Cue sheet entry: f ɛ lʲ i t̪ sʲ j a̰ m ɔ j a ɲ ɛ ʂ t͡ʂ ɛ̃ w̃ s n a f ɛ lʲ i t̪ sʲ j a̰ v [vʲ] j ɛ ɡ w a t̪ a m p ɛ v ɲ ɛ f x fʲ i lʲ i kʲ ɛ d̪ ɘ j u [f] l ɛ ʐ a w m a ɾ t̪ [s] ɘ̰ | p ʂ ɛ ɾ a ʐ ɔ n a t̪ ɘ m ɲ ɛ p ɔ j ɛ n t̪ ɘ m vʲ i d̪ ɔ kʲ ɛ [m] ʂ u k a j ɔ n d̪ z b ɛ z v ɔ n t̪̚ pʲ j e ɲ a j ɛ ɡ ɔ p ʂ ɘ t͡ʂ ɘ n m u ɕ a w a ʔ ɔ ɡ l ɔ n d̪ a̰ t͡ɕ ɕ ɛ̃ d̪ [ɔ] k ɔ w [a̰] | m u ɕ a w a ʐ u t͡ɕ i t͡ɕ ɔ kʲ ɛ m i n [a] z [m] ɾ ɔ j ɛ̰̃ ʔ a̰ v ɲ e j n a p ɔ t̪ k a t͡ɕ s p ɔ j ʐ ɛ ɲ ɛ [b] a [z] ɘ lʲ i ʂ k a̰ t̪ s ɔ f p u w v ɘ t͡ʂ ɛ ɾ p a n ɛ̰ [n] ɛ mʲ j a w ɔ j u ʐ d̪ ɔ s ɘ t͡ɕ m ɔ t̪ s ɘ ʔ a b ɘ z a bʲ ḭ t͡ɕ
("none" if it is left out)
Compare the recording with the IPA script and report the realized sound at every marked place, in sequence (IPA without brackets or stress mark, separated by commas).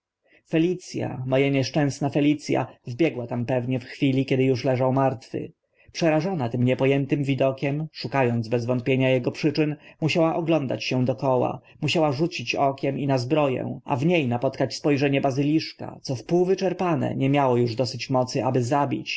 bʲ, ʂ, f, m, ɔ, a̰, a, b, b, z, ɲ